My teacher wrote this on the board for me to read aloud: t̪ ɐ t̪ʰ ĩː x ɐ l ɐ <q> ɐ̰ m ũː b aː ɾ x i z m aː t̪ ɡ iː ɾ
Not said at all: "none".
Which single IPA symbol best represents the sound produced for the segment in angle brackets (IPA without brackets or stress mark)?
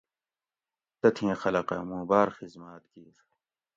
q